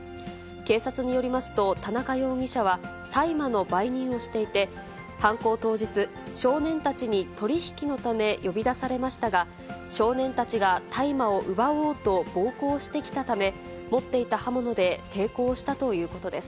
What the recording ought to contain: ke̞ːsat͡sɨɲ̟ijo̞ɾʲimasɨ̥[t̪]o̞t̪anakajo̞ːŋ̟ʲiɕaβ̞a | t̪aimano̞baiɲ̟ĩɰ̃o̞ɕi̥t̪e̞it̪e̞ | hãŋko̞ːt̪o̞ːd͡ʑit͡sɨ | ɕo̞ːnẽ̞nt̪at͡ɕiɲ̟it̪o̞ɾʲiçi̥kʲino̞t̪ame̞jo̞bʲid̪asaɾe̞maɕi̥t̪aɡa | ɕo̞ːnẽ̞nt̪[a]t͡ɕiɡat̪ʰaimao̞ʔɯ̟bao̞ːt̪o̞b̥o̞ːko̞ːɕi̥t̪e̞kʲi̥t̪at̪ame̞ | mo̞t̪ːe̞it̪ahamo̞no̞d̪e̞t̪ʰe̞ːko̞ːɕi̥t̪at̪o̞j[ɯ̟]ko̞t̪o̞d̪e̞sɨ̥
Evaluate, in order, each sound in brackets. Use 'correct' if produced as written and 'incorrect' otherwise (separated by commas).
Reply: correct, correct, incorrect